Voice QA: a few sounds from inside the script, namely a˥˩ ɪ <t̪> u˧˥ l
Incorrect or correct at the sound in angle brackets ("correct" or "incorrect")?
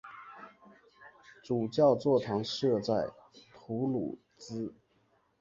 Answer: incorrect